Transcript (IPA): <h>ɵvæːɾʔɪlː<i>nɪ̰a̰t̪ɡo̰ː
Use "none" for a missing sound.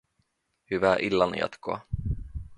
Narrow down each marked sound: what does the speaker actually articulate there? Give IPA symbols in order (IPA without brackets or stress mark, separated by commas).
h, a